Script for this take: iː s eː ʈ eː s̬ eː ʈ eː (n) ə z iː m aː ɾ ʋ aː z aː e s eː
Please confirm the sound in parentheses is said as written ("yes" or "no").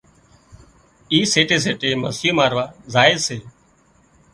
no